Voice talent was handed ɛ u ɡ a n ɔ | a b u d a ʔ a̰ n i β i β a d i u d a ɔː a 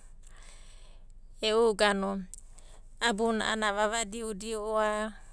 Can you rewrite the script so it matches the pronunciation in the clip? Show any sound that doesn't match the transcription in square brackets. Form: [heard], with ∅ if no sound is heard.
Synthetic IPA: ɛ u ɡ a n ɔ | a b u [n] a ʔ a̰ n [a] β [a] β a d i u d [i] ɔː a